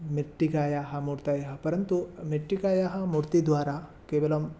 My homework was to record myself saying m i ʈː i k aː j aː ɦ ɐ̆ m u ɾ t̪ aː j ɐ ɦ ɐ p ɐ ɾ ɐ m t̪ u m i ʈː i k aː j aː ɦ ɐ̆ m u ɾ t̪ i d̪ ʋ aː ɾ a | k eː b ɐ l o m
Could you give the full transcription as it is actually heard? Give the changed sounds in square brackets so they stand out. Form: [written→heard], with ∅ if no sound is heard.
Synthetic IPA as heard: m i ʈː i k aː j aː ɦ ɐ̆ m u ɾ t̪ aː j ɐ ɦ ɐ p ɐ ɾ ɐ [m→n] t̪ u m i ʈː i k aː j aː ɦ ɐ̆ m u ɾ t̪ i d̪ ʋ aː ɾ a | k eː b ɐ l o m